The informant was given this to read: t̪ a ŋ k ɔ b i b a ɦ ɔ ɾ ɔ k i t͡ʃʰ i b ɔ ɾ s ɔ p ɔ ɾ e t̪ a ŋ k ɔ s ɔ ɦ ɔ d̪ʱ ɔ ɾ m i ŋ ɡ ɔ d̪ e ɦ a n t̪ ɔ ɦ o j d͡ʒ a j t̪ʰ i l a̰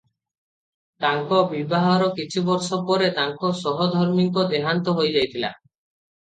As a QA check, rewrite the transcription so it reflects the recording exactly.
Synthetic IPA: t̪ a ŋ k ɔ b i b a ɦ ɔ ɾ ɔ k i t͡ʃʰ i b ɔ ɾ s ɔ p ɔ ɾ e t̪ a ŋ k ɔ s ɔ ɦ ɔ d̪ʱ ɔ ɾ m i ŋ k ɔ d̪ e ɦ a n t̪ ɔ ɦ o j d͡ʒ a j t̪ʰ i l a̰